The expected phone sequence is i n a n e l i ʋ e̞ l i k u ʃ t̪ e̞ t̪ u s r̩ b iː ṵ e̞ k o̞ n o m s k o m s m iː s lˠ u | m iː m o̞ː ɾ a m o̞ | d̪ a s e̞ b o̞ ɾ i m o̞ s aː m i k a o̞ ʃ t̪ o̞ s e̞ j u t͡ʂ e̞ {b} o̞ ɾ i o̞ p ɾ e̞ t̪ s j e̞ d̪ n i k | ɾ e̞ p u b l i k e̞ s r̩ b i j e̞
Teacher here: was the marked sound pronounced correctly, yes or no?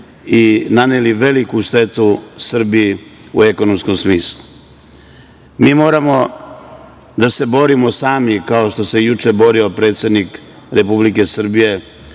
yes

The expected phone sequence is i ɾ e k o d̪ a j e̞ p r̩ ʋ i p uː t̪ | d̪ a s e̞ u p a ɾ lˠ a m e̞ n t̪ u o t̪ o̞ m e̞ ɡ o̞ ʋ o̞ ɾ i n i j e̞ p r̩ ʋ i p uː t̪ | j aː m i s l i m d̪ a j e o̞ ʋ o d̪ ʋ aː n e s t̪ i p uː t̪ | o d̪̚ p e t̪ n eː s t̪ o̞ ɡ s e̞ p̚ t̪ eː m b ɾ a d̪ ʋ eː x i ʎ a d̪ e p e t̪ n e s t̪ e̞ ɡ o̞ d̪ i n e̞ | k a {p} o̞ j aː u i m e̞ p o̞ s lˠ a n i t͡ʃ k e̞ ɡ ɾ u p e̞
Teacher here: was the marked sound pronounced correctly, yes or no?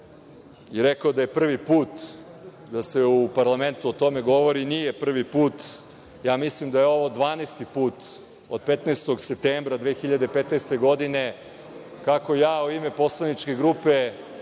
no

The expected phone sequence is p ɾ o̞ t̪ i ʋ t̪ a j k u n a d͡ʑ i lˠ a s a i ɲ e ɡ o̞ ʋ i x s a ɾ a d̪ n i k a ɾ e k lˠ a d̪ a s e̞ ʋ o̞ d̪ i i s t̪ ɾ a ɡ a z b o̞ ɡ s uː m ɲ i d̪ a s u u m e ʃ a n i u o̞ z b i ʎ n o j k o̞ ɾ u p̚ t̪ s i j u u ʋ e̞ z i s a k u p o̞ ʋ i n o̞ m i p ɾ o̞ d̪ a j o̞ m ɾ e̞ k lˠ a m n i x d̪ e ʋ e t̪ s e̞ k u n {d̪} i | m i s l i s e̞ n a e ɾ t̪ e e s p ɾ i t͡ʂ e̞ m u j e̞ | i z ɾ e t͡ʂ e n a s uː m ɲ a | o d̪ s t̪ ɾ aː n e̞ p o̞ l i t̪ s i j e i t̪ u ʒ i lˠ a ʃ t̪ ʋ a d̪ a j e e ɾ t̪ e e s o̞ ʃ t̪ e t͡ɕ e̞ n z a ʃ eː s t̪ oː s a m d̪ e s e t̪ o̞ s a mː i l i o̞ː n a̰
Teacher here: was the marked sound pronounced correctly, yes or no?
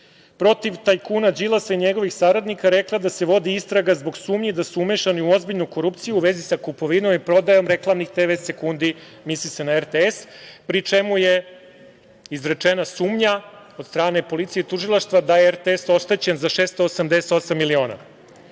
yes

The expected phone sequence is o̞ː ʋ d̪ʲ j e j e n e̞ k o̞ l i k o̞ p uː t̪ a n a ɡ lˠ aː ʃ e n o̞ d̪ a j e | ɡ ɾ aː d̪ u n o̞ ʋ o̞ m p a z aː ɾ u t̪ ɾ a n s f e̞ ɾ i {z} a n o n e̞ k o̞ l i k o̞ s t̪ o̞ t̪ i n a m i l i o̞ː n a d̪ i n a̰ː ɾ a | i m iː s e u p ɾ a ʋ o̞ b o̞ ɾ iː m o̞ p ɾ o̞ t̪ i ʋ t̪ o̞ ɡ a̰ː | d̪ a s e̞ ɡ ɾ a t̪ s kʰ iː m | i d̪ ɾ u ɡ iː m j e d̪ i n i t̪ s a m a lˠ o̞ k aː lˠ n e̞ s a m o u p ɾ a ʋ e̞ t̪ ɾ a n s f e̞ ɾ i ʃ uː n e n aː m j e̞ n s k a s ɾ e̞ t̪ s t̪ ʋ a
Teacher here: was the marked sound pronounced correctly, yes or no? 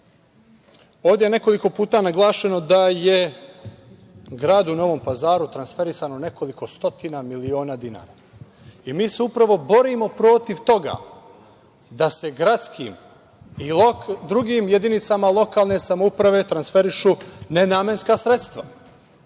no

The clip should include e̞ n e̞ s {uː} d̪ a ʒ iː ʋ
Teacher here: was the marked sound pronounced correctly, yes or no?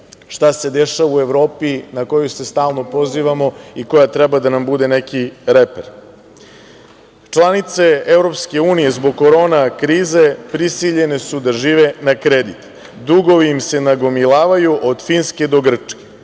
no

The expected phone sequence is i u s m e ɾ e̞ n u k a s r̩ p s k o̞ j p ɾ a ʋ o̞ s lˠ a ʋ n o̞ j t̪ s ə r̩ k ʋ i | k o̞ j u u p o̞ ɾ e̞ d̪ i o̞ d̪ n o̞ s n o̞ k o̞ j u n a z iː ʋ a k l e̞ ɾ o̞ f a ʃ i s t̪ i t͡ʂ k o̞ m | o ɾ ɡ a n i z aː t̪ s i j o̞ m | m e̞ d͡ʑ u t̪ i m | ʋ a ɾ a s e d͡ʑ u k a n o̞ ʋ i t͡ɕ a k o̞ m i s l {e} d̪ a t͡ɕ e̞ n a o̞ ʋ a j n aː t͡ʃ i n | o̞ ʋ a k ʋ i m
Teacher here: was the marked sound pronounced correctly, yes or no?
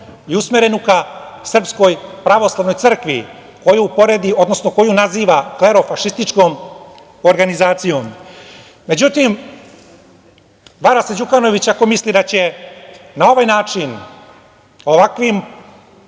no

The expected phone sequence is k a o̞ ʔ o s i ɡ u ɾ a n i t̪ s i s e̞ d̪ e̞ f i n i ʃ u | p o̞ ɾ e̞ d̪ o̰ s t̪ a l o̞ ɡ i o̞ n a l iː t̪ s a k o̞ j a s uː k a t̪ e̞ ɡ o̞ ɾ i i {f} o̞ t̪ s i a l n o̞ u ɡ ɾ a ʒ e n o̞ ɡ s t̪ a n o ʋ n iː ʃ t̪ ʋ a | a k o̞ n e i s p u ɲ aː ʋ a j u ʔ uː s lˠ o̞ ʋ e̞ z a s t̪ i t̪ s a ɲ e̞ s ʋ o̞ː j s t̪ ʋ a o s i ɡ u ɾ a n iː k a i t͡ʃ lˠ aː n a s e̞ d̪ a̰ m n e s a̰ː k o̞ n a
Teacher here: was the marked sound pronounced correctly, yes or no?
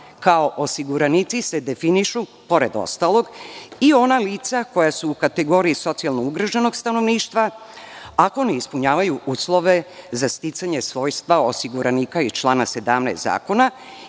no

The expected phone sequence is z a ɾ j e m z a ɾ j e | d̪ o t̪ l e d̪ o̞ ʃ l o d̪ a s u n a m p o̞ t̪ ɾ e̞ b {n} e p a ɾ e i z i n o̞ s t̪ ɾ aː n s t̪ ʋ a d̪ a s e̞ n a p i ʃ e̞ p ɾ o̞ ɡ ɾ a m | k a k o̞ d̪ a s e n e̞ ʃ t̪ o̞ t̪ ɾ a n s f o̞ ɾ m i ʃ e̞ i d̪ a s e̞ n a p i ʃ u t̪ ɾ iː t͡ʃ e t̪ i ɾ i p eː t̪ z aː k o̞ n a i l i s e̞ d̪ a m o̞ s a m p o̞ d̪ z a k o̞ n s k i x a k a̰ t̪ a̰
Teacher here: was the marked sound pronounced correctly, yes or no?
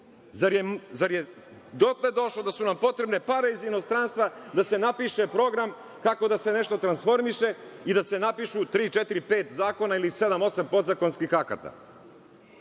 yes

